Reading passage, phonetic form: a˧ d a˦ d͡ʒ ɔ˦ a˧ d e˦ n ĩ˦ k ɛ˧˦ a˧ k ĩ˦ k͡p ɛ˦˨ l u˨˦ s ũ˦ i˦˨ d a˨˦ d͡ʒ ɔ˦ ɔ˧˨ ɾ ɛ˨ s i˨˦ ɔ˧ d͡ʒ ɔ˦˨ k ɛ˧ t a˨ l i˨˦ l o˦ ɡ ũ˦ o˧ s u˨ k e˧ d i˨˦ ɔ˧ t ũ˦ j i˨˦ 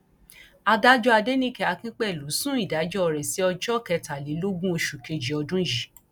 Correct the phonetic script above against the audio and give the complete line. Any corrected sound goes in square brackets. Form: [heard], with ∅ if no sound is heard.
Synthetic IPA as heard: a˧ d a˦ d͡ʒ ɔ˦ a˧ d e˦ n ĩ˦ k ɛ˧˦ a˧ k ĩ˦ k͡p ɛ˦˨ l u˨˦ s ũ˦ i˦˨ d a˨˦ d͡ʒ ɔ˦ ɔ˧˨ ɾ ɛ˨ s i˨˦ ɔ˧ d͡ʒ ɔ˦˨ k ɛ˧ t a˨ l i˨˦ l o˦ ɡ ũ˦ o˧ [ʃ] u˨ k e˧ [d͡ʒ] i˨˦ ɔ˧ [d] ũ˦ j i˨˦